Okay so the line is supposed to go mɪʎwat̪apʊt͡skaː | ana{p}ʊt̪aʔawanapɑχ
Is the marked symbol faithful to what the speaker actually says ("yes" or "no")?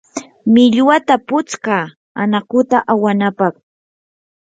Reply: no